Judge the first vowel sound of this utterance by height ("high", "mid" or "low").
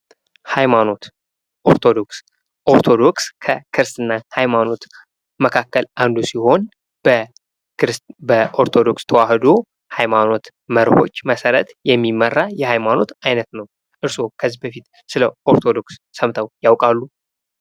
low